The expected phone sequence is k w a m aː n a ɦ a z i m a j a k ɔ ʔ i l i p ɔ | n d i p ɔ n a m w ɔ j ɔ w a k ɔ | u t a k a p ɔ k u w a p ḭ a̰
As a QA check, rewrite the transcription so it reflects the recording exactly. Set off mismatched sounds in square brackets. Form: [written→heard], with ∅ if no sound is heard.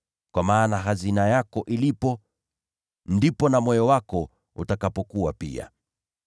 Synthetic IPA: k w a m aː n a ɦ a z i [m→n] a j a k ɔ ʔ i l i p ɔ | n d i p ɔ n a m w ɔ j ɔ w a k ɔ | u t a k a p ɔ k u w a p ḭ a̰